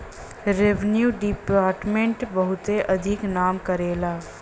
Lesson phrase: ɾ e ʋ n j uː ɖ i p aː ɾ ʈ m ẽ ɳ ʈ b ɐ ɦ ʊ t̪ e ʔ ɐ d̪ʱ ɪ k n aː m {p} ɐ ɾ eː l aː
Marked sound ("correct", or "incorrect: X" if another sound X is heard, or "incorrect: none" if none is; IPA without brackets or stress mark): incorrect: k